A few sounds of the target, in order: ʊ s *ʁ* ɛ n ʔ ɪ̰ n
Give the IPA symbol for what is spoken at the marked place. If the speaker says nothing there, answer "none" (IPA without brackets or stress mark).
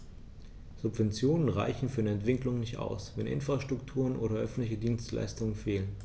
v